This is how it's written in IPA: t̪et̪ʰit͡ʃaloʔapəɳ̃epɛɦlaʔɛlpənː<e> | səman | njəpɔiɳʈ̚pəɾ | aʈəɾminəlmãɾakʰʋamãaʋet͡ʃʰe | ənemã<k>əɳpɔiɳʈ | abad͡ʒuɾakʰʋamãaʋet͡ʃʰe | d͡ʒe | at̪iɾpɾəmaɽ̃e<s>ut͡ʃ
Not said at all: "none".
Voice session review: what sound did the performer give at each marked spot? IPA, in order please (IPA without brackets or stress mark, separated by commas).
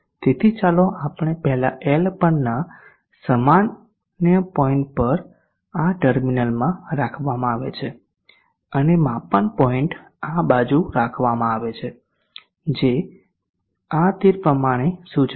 a, p, s